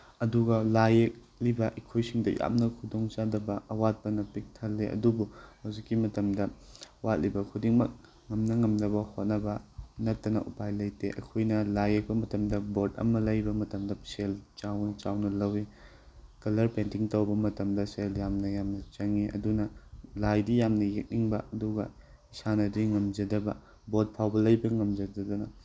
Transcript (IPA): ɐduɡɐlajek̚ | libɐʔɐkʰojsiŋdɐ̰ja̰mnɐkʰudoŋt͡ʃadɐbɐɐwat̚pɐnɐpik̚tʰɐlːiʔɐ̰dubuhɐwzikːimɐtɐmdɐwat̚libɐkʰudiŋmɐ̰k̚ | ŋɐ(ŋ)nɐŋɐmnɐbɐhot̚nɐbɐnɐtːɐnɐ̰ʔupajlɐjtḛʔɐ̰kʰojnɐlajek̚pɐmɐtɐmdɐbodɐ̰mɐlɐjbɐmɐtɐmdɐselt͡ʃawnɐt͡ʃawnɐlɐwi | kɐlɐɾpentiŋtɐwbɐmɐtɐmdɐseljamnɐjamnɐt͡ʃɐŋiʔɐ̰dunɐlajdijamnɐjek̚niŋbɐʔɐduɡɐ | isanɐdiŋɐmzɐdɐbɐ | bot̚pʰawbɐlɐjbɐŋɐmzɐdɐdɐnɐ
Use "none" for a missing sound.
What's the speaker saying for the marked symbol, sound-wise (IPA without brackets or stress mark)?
m